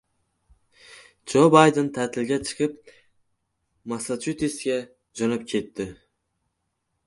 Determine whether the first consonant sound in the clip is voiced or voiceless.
voiced